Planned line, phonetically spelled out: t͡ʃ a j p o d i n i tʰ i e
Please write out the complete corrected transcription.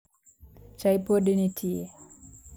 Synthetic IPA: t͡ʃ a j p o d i n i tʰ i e